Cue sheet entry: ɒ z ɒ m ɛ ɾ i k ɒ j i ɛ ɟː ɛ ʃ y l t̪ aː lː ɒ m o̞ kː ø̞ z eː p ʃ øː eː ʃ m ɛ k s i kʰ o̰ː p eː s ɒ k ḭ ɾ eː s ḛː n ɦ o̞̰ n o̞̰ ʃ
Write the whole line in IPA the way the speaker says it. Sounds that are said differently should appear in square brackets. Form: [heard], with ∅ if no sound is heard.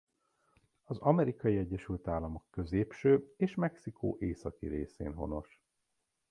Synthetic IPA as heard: ɒ z ɒ m ɛ ɾ i k ɒ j i ɛ ɟː ɛ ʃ y l t̪ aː lː ɒ m o̞ kː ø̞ z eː p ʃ øː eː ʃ m ɛ k s i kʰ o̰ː [ʔ] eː s ɒ k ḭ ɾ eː s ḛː n ɦ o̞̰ n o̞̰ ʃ